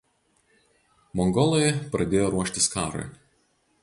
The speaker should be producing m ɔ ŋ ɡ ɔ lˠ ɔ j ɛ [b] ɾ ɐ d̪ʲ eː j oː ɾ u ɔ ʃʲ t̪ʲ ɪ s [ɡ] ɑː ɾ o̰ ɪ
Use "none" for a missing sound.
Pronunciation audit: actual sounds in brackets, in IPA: p, k

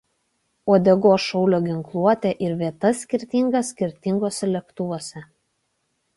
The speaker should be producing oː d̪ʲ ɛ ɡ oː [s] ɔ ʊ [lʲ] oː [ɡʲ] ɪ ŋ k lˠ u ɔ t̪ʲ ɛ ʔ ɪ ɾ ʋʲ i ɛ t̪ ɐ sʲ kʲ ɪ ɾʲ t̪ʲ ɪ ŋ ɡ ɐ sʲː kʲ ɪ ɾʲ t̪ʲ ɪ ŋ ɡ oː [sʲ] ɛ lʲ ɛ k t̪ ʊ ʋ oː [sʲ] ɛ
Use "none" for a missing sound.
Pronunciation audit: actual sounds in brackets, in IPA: ʃ, lʲ, ɡʲ, sʲ, sʲ

